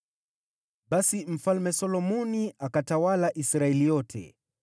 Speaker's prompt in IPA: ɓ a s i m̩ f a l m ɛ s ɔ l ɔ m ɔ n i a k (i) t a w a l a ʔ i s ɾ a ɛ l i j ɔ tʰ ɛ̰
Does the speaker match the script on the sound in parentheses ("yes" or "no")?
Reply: no